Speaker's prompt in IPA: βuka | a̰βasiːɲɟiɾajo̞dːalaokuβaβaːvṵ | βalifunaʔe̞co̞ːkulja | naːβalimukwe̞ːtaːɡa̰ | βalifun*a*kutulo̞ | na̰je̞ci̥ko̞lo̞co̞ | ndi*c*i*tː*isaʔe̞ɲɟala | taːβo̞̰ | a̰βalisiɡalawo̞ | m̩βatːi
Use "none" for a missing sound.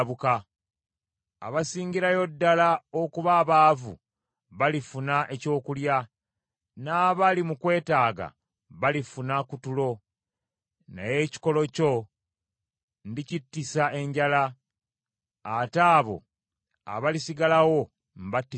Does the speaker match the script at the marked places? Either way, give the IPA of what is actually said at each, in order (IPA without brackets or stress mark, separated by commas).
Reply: a, c, tː